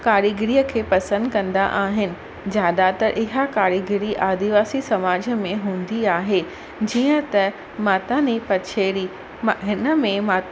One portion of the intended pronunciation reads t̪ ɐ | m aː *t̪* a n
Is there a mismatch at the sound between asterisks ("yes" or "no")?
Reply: no